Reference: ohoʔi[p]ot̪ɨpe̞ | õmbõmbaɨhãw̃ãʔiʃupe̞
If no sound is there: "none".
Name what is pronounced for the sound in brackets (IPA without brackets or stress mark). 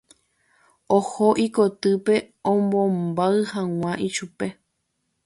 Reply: k